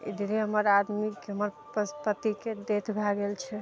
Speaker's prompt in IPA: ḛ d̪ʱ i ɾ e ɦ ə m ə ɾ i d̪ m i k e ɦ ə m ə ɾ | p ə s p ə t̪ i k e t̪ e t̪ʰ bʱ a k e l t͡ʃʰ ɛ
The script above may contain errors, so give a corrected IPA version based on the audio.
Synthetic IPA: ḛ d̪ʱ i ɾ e ɦ ə m ə ɾ a d̪ m i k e ɦ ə m ə ɾ | p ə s p ə t̪ i k e d̪ e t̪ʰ bʱ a ɡ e l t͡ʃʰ ɛ